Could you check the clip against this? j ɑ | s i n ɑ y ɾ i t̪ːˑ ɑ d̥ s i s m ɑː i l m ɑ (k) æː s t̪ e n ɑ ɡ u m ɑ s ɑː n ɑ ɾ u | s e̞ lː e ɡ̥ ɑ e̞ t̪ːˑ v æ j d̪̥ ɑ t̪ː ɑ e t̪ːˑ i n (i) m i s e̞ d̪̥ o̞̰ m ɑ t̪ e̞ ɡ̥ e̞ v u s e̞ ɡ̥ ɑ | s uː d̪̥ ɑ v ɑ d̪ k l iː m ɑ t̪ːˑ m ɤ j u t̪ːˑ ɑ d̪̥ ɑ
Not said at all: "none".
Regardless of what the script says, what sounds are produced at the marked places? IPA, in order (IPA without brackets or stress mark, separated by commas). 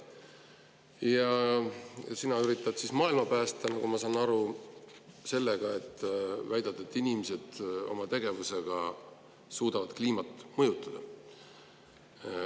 p, i